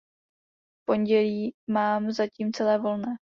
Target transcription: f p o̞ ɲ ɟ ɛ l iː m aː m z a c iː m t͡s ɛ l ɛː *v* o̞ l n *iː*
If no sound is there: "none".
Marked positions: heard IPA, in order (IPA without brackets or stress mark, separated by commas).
v, ɛː